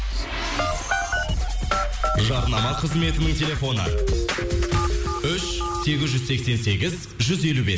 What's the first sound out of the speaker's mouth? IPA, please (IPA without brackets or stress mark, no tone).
ʒ